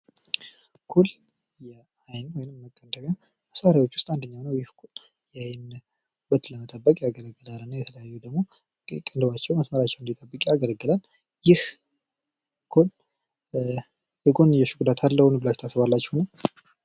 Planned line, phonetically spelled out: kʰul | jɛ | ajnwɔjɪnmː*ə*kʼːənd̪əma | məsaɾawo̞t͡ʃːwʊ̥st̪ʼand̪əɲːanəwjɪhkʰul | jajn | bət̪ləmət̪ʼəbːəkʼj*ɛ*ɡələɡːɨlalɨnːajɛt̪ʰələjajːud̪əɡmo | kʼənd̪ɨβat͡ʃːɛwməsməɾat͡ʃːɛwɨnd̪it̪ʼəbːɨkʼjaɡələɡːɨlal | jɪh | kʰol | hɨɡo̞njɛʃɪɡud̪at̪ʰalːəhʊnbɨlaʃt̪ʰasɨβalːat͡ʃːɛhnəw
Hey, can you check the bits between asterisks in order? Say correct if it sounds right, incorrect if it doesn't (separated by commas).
correct, incorrect